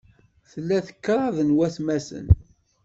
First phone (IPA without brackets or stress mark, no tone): θ